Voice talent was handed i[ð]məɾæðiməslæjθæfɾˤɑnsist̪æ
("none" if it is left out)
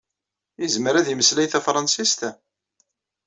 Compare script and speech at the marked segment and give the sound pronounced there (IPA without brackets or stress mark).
z